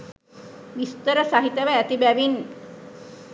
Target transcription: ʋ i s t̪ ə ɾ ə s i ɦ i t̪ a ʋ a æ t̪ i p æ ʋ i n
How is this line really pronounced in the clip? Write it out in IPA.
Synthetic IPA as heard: ʋ i s t̪ ə ɾ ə s a ɦ i t̪ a ʋ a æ t̪ i b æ ʋ i n